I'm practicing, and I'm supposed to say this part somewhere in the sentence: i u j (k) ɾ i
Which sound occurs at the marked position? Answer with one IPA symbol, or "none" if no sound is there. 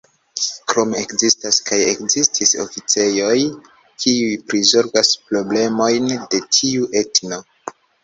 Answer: p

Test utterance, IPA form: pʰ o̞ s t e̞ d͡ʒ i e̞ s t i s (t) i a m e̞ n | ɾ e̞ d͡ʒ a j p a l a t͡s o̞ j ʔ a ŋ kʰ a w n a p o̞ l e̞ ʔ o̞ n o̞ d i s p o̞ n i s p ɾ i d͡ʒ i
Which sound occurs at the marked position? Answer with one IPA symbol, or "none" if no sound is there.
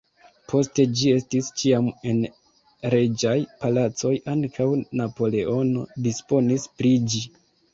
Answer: t͡ʃ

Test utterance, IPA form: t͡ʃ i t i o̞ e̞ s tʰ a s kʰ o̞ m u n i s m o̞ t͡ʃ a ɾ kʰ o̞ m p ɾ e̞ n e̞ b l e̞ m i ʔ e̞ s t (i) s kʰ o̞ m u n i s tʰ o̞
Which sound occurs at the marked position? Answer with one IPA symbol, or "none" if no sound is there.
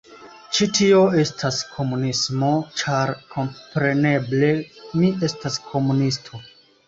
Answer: a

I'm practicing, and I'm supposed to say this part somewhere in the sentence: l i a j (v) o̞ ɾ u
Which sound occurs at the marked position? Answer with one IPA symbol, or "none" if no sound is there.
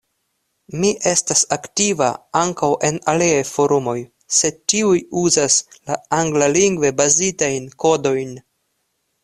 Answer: f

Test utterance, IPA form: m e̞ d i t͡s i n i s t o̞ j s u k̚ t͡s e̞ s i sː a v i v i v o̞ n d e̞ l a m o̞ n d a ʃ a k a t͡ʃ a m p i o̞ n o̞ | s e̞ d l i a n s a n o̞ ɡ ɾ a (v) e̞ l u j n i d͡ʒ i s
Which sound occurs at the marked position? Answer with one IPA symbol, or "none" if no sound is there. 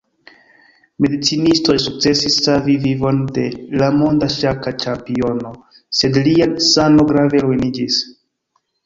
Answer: v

